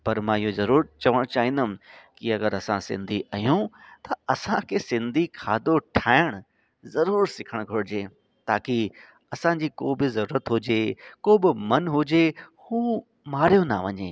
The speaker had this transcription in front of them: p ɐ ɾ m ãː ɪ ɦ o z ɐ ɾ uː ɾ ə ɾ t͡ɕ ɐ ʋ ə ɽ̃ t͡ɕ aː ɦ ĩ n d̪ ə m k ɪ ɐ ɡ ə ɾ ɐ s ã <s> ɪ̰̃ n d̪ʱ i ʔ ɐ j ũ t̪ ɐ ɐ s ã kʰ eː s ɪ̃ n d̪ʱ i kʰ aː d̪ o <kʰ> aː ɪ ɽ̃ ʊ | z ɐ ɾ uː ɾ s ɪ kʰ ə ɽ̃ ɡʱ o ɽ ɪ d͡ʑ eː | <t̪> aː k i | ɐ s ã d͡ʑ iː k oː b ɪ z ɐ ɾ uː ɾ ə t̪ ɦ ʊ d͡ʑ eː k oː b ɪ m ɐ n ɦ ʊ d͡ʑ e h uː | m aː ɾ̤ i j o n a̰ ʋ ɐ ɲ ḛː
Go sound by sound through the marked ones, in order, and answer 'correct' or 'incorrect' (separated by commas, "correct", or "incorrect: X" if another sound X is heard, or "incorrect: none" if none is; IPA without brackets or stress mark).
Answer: correct, incorrect: ʈʰ, correct